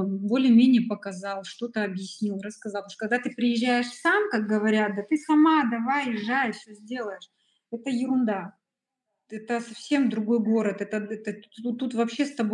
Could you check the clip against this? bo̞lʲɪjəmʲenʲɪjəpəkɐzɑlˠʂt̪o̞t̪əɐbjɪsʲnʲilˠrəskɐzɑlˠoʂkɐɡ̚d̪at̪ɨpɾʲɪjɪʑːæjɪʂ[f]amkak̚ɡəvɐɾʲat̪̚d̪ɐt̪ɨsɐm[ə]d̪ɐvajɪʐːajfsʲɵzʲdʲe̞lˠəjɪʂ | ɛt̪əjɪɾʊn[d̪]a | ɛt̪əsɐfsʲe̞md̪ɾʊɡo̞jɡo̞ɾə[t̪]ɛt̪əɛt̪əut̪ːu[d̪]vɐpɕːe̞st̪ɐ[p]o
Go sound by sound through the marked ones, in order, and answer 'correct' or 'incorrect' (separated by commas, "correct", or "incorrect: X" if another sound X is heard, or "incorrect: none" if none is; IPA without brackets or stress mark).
incorrect: s, incorrect: a, correct, correct, incorrect: t̪, incorrect: b